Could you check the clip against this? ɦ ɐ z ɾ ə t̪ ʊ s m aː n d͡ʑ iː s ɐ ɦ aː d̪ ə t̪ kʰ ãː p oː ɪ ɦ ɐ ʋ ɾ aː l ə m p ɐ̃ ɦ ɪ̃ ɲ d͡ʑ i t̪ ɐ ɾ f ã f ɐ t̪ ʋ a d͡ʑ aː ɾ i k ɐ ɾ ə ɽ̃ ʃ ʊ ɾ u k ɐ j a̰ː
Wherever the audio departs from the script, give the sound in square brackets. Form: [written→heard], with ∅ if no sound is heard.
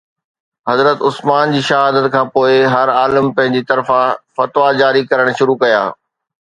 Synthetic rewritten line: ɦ ɐ z ɾ ə t̪ ʊ s m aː n d͡ʑ iː [s→ʃ] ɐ ɦ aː d̪ ə t̪ kʰ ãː p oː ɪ ɦ ɐ [ʋ→∅] ɾ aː l ə m p ɐ̃ ɦ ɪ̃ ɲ d͡ʑ i t̪ ɐ ɾ f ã f ɐ t̪ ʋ a d͡ʑ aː ɾ i k ɐ ɾ ə ɽ̃ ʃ ʊ ɾ u k ɐ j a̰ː